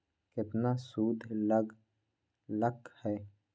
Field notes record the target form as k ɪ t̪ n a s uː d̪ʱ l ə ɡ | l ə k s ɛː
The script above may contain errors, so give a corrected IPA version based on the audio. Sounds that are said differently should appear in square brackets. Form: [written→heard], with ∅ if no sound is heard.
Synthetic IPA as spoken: k ɪ t̪ n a s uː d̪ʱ l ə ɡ | l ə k [s→h] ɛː